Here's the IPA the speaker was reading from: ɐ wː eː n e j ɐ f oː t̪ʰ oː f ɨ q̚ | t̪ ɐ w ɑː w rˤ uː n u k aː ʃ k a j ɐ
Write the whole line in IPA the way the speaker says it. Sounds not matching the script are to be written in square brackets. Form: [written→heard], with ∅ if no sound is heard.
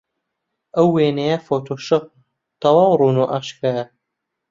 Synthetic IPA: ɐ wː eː n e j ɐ f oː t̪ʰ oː [f→ʃ] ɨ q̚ | t̪ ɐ w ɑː w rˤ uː n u [k→ʔ] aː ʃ k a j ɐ